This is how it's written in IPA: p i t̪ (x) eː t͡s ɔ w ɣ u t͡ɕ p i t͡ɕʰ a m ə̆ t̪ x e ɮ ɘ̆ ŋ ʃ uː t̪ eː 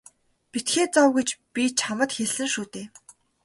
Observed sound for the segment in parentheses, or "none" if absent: x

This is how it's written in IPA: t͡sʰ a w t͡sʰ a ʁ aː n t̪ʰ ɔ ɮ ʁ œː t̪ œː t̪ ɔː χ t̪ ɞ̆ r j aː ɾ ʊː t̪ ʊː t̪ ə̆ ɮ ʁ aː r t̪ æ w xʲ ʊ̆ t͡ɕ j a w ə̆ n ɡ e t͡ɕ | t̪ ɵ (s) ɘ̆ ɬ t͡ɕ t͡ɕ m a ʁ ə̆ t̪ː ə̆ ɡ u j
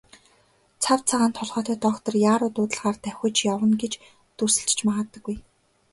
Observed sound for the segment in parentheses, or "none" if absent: s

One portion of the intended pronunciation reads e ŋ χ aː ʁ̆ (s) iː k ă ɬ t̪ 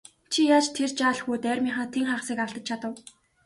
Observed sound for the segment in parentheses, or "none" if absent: s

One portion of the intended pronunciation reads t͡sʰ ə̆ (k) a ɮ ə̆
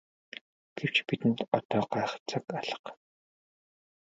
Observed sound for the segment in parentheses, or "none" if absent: k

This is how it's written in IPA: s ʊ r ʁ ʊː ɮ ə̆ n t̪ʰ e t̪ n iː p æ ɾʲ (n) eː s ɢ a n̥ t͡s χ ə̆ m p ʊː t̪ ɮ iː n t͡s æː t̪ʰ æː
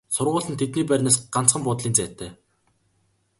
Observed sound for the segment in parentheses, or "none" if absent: n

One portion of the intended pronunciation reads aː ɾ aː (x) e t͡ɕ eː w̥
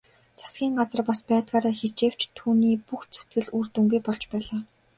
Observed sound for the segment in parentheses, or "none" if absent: x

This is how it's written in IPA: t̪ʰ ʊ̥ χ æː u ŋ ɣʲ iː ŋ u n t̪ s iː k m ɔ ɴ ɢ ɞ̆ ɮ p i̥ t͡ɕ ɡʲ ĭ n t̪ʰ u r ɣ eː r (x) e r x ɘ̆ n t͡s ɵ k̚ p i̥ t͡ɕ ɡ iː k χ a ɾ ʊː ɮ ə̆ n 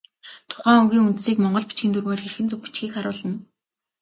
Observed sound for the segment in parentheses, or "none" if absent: x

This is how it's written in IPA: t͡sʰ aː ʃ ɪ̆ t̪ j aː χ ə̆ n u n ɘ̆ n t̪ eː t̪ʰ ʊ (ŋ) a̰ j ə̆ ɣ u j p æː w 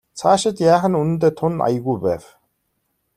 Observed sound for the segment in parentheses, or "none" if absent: n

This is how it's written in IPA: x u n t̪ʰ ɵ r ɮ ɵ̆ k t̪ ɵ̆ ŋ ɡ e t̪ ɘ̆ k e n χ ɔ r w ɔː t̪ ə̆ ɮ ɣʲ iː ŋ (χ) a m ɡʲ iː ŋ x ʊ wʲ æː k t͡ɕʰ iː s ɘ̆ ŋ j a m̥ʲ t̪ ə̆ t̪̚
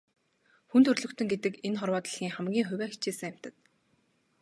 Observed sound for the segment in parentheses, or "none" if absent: χ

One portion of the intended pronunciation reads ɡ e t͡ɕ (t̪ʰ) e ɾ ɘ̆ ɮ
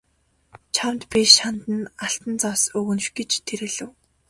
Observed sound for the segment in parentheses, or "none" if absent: t̪ʰ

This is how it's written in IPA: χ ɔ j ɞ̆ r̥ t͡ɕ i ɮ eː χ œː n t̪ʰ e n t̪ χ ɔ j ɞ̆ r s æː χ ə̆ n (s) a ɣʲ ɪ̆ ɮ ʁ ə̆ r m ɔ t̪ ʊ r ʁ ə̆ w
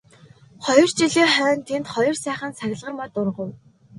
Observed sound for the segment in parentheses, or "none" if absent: s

